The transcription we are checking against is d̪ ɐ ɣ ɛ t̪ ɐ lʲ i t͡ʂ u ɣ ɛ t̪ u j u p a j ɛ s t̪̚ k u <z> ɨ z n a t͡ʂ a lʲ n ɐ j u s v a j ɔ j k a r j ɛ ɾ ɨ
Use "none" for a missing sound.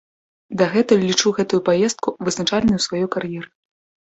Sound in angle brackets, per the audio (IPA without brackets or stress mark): v